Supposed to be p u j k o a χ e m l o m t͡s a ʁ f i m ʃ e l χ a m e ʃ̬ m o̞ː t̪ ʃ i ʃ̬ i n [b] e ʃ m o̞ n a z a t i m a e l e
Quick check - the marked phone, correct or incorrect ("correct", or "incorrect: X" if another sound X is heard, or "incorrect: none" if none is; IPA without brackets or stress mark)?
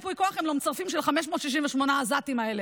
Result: incorrect: v